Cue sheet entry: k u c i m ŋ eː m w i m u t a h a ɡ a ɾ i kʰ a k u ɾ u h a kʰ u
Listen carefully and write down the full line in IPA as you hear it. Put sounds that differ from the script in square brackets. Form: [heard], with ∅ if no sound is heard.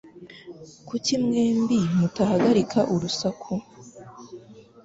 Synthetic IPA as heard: k u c i m ŋ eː m [b] i m u t a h a ɡ a ɾ i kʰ a [ʔ] u ɾ u [s] a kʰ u

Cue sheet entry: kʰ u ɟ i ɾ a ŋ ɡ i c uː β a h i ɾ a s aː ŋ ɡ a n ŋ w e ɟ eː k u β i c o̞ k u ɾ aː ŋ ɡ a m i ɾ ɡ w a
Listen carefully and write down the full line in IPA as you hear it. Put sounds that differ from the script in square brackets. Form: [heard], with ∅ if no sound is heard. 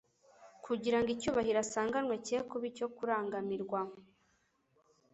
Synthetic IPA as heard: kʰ u ɟ i ɾ a ŋ ɡ i c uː β a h i ɾ a s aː ŋ ɡ a n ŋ w e [c] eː k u β i c o̞ k u ɾ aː ŋ ɡ a m i ɾ ɡ w a

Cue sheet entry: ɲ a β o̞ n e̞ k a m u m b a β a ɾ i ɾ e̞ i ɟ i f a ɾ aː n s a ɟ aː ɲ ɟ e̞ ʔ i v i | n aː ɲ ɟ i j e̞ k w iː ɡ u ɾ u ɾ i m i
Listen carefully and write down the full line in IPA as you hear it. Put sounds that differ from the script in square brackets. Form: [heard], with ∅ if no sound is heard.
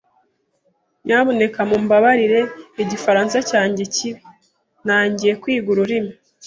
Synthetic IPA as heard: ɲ a β o̞ n e̞ k a m u m b a β a ɾ i ɾ e̞ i ɟ i f a ɾ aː n s a [c] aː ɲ ɟ e̞ [c] i [β] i | n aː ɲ ɟ i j e̞ k w iː ɡ u ɾ u ɾ i m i

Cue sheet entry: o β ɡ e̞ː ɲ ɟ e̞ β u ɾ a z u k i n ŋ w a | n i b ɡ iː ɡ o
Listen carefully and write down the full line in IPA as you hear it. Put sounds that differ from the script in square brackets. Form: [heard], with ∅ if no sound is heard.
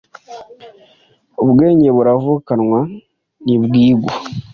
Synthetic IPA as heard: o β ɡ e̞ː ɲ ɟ e̞ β u ɾ a [v] u k [a] n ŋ w a | n i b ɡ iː ɡ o

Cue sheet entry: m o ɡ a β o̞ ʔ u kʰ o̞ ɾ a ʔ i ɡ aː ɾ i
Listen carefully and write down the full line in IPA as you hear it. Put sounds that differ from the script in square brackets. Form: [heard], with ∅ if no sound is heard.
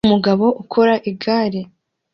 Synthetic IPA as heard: m [u] ɡ a β o̞ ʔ u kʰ o̞ ɾ a ʔ i ɡ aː ɾ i

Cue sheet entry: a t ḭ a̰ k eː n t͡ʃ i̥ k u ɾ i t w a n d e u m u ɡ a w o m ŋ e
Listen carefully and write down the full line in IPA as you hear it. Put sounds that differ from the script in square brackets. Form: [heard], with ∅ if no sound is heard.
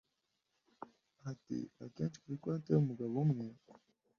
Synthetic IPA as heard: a t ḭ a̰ k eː n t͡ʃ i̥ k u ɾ i [k] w a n [t] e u m u ɡ a [β] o m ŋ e

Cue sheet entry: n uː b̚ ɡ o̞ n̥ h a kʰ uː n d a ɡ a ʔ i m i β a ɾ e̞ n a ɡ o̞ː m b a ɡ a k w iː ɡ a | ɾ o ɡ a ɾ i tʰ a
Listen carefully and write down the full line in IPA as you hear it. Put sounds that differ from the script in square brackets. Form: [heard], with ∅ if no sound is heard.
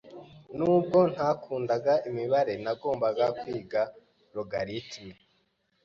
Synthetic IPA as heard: n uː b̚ ɡ o̞ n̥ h a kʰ uː n d a ɡ a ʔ i m i β a ɾ e̞ n a ɡ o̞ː m b a ɡ a k w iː ɡ a | ɾ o ɡ a ɾ i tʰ [i]

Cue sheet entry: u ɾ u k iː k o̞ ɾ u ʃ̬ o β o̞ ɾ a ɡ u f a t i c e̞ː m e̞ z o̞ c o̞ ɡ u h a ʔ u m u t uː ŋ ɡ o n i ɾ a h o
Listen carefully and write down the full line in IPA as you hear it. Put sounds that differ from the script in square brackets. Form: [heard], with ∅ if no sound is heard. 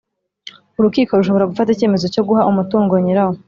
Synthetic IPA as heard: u ɾ u k iː k o̞ ɾ u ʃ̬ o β o̞ ɾ a ɡ u f a t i c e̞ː m e̞ z o̞ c o̞ ɡ u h a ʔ u m u t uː ŋ ɡ o [ɲ] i ɾ a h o

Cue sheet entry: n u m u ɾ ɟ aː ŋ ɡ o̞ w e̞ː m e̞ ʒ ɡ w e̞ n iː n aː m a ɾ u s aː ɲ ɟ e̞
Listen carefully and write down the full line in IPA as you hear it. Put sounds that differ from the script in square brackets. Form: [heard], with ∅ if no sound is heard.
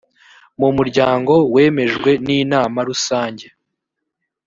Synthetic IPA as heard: [m] u m u ɾ ɟ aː ŋ ɡ o̞ w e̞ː m e̞ ʒ ɡ w e̞ n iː n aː m a ɾ u s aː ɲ ɟ e̞

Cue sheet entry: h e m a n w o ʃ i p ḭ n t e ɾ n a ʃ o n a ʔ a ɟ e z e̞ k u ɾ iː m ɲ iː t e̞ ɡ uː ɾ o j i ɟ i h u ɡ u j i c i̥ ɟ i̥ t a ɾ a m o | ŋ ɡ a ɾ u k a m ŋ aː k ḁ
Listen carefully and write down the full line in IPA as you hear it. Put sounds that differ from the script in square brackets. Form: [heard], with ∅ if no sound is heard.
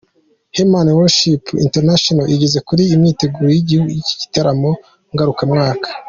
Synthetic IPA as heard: h e m a n w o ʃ i p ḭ n t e ɾ n a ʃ o n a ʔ [i] ɟ e z e̞ k u ɾ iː m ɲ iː t e̞ ɡ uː ɾ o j i ɟ i h u ɡ u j i c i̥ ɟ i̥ t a ɾ a m o | ŋ ɡ a ɾ u k a m ŋ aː k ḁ

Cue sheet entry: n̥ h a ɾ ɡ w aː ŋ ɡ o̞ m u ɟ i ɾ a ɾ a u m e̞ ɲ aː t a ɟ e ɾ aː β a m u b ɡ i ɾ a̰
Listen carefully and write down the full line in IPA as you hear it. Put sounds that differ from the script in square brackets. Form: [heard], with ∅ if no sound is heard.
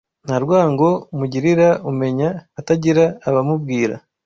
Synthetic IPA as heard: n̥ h a ɾ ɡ w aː ŋ ɡ o̞ m u ɟ i ɾ [i] ɾ a u m e̞ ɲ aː t a ɟ [i] ɾ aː β a m u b ɡ [iː] ɾ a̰

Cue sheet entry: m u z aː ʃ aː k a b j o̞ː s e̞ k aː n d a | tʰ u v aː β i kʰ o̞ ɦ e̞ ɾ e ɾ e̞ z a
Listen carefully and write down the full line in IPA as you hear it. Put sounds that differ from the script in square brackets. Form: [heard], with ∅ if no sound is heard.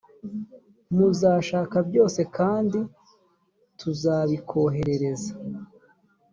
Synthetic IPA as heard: m u z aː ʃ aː k a b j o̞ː s e̞ k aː n d [i] | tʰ u [z] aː β i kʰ o̞ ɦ e̞ ɾ e ɾ e̞ z a

